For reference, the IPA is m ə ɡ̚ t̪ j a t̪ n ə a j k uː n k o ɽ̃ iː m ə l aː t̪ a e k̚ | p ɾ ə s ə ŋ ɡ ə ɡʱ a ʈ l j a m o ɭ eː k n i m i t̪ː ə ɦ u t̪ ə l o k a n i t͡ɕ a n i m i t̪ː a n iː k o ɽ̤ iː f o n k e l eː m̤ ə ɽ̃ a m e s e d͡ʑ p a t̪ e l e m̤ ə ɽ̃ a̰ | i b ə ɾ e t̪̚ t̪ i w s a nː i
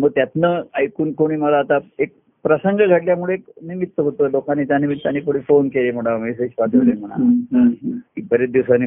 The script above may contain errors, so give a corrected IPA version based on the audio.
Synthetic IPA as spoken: m ə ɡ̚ t̪ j a t̪ n ə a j k uː n k o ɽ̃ iː m ə l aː t̪ a e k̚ | p ɾ ə s ə ŋ ɡ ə ɡʱ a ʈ l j a m u ɭ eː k n i m i t̪ː ə ɦ o t̪ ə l o k a n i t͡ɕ a n i m i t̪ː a n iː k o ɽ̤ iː f o n k e l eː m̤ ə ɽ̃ a m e s e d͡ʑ p a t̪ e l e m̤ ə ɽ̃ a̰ | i b ə ɾ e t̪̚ d̪ i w s a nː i